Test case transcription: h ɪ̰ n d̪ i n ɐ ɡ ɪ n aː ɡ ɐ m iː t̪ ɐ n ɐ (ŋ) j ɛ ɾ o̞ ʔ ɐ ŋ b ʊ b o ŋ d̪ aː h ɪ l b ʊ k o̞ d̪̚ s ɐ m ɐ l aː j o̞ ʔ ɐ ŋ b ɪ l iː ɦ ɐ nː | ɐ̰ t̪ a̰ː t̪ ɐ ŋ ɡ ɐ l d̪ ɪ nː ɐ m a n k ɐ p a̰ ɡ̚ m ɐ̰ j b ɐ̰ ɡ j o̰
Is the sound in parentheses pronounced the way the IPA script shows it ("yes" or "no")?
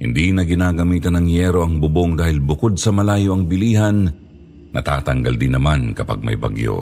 yes